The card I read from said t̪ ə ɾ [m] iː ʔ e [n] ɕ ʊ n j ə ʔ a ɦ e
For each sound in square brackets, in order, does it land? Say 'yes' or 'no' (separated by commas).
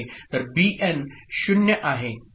no, yes